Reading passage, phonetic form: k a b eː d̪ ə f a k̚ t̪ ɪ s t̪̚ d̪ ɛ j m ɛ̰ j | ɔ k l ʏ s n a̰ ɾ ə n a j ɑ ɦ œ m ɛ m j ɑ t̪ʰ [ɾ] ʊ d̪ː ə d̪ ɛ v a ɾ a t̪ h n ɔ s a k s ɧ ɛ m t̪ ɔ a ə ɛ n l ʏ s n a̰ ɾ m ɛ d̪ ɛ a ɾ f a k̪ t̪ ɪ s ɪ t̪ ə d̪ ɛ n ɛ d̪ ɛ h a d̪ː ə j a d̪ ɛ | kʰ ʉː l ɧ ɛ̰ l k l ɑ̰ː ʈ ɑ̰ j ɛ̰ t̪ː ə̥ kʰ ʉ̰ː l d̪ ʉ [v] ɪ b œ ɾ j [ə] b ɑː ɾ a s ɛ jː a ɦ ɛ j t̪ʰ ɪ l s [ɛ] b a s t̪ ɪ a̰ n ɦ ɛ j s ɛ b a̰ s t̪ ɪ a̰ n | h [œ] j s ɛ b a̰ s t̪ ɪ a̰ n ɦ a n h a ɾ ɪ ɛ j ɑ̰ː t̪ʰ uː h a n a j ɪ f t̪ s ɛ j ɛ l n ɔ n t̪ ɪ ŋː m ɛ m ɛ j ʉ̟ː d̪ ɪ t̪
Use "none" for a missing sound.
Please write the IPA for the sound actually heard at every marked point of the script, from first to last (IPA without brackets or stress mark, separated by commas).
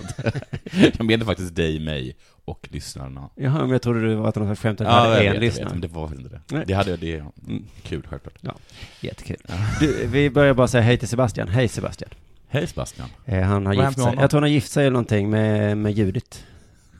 ɾ, v, a, ɛ, ɛ